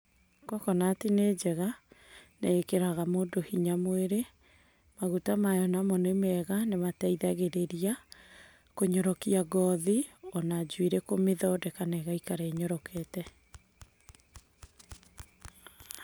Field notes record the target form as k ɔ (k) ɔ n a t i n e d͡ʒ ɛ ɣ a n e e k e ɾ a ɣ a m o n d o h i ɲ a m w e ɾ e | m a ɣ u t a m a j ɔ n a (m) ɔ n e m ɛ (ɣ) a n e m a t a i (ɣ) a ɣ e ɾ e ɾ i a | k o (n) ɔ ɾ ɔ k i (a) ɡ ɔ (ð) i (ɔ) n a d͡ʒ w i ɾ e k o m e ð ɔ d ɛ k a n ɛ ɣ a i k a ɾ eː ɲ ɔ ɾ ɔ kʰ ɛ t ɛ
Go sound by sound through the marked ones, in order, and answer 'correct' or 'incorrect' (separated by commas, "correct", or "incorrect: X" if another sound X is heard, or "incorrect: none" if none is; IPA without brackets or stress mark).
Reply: correct, correct, correct, incorrect: ð, incorrect: ɲ, correct, correct, correct